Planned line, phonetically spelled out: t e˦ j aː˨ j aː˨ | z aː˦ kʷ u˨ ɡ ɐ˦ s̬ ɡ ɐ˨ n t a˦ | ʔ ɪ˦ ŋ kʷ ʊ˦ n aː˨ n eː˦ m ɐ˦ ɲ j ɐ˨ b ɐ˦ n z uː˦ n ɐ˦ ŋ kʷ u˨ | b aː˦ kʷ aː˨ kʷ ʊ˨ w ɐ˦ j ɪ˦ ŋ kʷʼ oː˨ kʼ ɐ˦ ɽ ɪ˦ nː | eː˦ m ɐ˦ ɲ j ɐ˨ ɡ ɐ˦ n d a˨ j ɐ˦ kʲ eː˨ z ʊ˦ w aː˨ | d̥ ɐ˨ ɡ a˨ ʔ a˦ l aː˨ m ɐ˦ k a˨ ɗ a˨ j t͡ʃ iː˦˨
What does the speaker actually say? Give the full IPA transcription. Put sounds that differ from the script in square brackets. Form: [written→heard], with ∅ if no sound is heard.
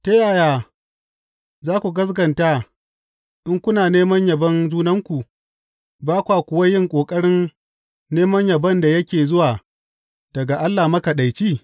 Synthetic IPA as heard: t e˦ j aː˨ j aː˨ | z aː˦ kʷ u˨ ɡ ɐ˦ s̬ ɡ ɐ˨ n t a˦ | ʔ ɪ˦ ŋ kʷ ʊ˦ n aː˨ n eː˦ m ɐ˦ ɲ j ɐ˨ b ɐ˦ n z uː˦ n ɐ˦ ŋ kʷ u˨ | b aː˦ kʷ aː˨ kʷ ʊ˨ w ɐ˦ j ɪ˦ ŋ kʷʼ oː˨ kʼ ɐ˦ ɽ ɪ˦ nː | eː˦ m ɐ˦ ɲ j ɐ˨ [ɡ→b] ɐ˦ n d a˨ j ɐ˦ kʲ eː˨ z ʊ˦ w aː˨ | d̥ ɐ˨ ɡ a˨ ʔ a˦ [l→lː] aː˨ m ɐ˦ k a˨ ɗ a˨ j t͡ʃ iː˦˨